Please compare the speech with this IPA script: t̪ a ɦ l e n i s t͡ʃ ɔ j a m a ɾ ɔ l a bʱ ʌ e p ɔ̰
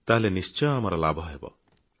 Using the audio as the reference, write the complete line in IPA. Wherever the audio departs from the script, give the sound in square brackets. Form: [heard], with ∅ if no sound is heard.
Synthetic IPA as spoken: t̪ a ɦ l e n i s t͡ʃ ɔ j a m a ɾ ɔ l a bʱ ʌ e [b] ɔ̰